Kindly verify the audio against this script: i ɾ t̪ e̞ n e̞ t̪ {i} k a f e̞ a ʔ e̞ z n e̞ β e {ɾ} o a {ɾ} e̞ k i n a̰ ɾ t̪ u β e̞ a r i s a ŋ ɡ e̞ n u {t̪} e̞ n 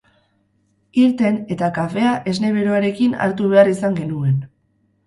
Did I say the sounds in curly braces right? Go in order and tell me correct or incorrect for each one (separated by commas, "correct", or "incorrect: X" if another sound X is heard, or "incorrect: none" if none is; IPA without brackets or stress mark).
incorrect: a, correct, correct, incorrect: none